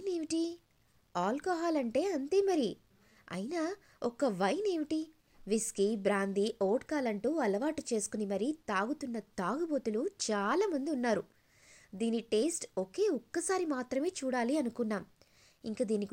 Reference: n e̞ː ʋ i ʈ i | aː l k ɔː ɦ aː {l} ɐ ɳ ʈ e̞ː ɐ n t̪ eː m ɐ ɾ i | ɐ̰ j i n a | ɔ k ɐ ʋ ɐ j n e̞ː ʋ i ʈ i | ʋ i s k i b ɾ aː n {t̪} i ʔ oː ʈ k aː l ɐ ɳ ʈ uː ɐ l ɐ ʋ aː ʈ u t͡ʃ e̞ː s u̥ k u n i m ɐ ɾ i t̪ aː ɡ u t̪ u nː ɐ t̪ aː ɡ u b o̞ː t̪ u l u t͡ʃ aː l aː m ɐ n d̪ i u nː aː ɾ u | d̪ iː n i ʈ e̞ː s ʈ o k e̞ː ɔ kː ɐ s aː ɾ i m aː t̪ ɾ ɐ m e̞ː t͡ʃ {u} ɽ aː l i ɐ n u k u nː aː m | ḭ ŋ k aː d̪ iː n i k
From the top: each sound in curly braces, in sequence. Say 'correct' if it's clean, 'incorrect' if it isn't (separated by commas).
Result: correct, incorrect, incorrect